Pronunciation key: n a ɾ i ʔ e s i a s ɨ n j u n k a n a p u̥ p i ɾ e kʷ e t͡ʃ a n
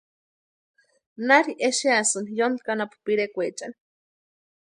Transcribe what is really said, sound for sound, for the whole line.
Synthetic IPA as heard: n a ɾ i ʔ e ʃ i a s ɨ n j o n k a n a p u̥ p i ɾ e kʷ e t͡ʃ a n